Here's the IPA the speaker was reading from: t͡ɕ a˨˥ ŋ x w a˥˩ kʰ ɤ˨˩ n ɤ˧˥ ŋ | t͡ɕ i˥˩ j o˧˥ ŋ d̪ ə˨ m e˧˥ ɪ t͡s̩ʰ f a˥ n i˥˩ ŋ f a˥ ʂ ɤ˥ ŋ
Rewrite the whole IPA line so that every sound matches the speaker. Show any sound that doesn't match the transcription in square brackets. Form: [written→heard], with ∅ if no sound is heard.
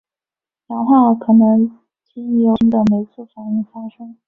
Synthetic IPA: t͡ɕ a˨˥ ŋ x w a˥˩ kʰ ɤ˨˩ n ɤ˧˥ ŋ | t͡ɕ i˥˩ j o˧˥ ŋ d̪ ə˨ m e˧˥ ɪ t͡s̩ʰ f [a˥→a˨˩] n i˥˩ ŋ f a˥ ʂ ɤ˥ ŋ